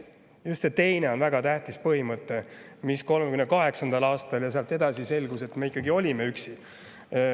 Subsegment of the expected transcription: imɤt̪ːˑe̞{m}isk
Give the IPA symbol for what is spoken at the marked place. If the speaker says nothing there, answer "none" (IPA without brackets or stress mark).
m